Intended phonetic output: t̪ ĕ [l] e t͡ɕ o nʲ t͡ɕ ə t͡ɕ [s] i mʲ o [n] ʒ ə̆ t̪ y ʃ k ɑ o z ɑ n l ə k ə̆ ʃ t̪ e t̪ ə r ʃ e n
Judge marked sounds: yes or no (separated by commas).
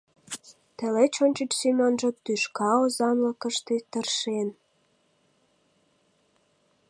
yes, yes, yes